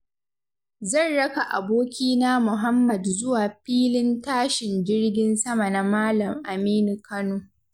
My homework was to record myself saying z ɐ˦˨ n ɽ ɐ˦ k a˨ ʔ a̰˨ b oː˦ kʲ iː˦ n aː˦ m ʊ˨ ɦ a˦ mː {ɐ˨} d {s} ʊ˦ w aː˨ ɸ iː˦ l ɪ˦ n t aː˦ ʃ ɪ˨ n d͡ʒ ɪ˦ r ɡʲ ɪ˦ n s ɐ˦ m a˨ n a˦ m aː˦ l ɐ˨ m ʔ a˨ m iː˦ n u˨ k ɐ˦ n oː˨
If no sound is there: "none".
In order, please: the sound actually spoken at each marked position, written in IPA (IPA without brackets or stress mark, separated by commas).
ɐ˨, z